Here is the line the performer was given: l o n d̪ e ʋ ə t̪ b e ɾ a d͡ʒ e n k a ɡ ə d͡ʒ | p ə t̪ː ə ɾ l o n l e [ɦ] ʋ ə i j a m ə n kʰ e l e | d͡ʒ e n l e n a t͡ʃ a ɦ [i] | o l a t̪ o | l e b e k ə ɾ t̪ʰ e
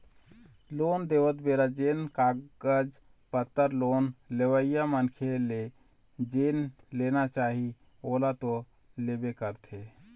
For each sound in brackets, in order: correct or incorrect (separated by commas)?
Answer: incorrect, correct